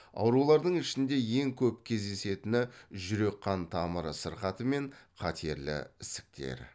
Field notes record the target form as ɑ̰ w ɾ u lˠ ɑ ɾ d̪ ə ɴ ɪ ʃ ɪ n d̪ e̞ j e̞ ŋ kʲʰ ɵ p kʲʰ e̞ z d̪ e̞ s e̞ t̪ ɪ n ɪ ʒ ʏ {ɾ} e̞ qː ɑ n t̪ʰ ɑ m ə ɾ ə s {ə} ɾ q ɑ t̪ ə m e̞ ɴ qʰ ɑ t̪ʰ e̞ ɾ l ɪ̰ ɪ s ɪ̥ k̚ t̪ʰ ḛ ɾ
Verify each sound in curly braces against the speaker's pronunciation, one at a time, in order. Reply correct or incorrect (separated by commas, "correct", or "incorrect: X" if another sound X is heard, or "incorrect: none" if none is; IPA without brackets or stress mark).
correct, correct